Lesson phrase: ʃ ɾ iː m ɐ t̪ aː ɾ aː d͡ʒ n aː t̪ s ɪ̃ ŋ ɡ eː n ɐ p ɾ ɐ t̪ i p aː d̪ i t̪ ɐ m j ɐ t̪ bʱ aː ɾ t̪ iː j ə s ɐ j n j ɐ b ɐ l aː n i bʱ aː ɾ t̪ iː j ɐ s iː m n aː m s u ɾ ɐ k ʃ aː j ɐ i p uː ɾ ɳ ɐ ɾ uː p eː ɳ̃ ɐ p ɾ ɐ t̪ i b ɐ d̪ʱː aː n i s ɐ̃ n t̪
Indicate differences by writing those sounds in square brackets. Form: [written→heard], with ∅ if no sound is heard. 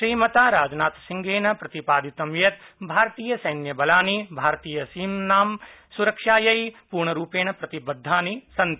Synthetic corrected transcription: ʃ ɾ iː m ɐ t̪ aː ɾ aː d͡ʒ n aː t̪ s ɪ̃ ŋ ɡ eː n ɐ p ɾ ɐ t̪ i p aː d̪ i t̪ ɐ m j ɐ t̪ bʱ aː ɾ t̪ iː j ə s ɐ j n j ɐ b ɐ l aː n i bʱ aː ɾ t̪ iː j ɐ s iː m n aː m s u ɾ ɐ k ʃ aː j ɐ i p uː ɾ ɳ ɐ ɾ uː p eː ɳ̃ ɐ p ɾ ɐ t̪ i b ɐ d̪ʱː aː n i s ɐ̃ n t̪